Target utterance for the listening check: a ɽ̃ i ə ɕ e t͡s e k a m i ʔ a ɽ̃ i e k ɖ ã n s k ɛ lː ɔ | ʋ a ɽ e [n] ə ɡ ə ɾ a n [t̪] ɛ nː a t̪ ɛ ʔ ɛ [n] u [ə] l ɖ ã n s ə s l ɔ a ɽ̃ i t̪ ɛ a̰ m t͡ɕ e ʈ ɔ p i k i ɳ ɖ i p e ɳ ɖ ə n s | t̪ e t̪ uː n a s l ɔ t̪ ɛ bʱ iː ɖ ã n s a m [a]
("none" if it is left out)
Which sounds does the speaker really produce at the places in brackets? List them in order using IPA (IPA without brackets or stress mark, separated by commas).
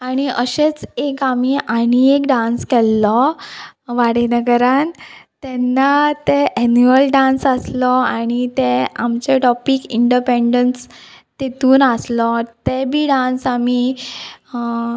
n, t̪, n, ə, i